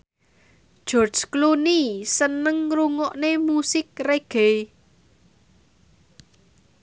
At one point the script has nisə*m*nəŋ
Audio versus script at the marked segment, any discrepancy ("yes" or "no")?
yes